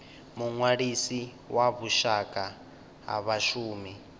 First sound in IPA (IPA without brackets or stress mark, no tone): m